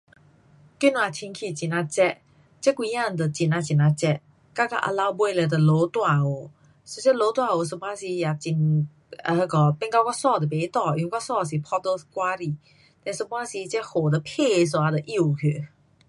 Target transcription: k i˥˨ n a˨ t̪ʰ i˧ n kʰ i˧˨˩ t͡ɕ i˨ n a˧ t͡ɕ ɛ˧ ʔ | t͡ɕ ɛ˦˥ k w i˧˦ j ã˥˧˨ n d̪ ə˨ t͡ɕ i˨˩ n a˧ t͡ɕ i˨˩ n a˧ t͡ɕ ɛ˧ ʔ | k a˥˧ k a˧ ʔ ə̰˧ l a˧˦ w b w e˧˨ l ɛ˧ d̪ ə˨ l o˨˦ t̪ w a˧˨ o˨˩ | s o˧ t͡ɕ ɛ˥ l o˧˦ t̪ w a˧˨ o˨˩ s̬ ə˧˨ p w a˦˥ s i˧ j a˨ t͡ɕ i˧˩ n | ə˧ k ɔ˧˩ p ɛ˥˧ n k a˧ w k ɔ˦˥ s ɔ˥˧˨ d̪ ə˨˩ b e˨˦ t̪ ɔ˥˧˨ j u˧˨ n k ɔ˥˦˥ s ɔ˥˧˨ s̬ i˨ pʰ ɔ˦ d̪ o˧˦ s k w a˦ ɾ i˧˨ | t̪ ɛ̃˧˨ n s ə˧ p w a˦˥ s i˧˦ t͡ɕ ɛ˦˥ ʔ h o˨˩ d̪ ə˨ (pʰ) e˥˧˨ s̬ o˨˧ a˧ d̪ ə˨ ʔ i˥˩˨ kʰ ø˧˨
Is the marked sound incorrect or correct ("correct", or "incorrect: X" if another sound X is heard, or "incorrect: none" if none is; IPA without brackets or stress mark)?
correct